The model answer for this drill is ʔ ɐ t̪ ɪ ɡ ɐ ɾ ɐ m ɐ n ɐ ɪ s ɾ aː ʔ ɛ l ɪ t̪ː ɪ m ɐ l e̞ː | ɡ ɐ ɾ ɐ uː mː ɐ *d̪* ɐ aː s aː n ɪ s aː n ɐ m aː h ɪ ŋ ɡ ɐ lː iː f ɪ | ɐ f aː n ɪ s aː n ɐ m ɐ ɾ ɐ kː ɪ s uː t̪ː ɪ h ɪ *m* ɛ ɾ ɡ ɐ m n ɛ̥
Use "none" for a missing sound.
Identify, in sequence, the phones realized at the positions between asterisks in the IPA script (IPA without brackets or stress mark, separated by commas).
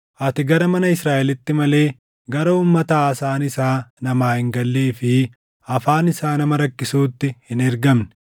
t̪, n